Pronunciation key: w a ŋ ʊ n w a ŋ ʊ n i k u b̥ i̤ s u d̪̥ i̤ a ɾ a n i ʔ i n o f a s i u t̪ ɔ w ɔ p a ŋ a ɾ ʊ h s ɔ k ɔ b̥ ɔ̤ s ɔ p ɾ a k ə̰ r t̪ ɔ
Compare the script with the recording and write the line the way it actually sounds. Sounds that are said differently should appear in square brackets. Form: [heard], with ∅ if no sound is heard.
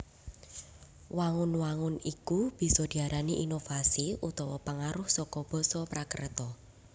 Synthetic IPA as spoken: w a ŋ ʊ n w a ŋ ʊ n i k u b̥ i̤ s [ɔ] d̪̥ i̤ a ɾ a n i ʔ i n o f a s i u t̪ ɔ w ɔ p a ŋ a ɾ ʊ h s ɔ k ɔ b̥ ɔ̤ s ɔ p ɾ a k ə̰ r t̪ ɔ